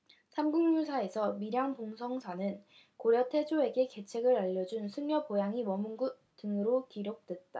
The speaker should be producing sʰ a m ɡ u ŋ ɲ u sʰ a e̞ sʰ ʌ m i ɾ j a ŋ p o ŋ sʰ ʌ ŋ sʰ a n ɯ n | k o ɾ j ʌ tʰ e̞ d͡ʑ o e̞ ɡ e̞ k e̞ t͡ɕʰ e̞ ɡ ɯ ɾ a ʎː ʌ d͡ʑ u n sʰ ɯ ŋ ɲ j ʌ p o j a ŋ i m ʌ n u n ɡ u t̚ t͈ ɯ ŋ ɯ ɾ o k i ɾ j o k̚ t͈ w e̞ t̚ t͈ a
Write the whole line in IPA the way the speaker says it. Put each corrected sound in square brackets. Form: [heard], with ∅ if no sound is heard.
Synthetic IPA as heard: sʰ a m ɡ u ŋ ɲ u sʰ a e̞ sʰ ʌ m i ɾ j a ŋ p o ŋ sʰ ʌ ŋ sʰ a n ɯ n | k o ɾ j ʌ tʰ e̞ d͡ʑ o e̞ ɡ e̞ k e̞ t͡ɕʰ e̞ ɡ ɯ ɾ a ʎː ʌ d͡ʑ u n sʰ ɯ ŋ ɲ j ʌ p o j a ŋ i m ʌ [m] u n ɡ u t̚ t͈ ɯ ŋ ɯ ɾ o k i ɾ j o k̚ t͈ w e̞ t̚ t͈ a